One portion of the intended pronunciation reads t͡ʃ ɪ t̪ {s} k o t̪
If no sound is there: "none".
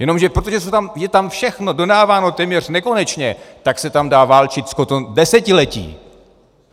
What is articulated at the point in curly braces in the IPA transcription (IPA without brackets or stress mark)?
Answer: s